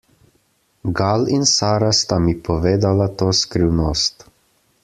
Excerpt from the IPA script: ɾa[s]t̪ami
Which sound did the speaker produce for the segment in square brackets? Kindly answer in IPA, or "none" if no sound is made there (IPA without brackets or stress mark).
s